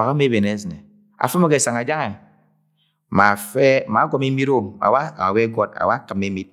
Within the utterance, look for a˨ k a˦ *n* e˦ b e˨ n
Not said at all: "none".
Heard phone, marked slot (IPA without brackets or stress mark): m